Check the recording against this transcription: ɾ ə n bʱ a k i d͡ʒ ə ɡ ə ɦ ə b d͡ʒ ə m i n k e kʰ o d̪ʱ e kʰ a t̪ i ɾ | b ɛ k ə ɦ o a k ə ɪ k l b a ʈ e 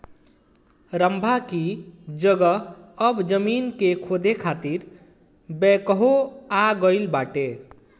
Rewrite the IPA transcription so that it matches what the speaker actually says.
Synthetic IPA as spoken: ɾ ə m bʱ a k i d͡ʒ ə ɡ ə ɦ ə b d͡ʒ ə m i n k e kʰ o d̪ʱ e kʰ a t̪ i ɾ | b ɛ k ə ɦ o a ɡ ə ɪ l b a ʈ e